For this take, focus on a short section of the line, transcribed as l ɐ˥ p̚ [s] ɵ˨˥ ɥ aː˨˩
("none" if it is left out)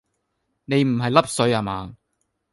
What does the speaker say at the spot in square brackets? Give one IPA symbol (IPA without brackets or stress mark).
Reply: s